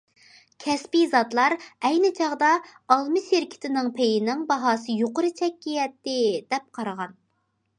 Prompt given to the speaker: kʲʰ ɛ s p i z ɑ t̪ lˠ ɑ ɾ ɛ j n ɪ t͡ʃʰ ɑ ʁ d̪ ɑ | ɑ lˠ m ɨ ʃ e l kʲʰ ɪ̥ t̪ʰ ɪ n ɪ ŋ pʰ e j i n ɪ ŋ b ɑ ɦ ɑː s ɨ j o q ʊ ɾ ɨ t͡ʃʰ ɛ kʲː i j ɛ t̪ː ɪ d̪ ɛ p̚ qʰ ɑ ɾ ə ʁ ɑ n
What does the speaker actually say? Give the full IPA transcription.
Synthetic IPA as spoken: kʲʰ ɛ s p i z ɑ t̪ lˠ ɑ ɾ ɛ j n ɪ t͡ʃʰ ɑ ʁ d̪ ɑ | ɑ lˠ m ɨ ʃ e ɾ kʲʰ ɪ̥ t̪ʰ ɪ n ɪ ŋ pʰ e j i n ɪ ŋ b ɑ ɦ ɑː s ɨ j o q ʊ ɾ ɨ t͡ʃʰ ɛ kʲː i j ɛ t̪ː ɪ d̪ ɛ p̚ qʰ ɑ ɾ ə ʁ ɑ n